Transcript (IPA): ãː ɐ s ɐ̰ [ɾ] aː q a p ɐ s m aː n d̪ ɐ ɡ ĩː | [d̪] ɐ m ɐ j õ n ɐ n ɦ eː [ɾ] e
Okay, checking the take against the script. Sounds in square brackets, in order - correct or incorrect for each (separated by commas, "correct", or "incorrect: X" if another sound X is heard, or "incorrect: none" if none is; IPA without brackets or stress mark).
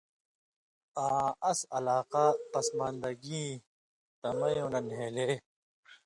incorrect: l, incorrect: t̪, incorrect: l